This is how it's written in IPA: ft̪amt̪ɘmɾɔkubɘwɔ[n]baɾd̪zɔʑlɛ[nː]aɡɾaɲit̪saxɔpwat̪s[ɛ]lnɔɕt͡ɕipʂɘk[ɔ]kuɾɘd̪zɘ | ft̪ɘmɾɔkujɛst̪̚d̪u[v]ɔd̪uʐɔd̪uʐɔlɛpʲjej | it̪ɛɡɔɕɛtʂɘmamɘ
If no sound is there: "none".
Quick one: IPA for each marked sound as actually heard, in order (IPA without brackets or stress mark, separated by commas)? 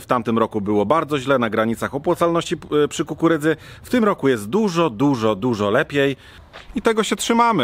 none, n, a, u, ʐ